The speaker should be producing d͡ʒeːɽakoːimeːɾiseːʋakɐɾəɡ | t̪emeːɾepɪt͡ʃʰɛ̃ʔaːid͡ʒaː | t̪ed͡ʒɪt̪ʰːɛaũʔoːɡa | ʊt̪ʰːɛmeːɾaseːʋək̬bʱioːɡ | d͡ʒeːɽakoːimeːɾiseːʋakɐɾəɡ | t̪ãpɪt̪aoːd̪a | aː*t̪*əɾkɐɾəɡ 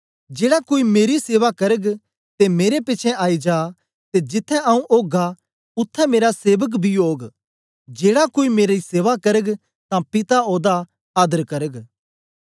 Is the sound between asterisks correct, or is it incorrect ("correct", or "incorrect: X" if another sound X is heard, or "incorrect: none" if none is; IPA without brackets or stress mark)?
incorrect: d̪